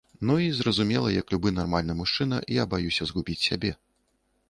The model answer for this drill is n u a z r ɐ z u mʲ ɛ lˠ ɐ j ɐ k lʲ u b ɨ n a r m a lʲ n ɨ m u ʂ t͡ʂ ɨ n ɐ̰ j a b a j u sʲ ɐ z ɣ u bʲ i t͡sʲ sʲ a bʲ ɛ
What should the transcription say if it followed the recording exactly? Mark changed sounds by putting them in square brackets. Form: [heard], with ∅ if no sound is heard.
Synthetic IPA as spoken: n u [i] z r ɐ z u mʲ ɛ lˠ ɐ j ɐ k lʲ u b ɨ n a r m a lʲ n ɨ m u ʂ t͡ʂ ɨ n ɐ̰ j a b a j u sʲ ɐ z ɣ u bʲ i t͡sʲ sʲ a bʲ ɛ